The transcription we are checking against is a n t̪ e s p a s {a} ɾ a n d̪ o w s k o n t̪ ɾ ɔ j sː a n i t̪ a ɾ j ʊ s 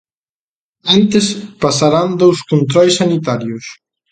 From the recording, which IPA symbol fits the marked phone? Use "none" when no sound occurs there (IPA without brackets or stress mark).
a